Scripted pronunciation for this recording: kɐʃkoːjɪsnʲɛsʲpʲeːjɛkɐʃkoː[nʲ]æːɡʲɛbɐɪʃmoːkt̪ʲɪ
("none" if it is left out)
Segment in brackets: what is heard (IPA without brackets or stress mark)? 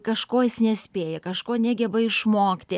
nʲ